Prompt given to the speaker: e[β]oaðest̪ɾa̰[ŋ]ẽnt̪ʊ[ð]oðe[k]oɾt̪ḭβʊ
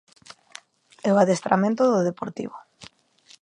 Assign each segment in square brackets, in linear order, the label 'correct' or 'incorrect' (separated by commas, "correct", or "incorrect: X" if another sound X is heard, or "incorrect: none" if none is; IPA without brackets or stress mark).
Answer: incorrect: none, incorrect: m, correct, incorrect: p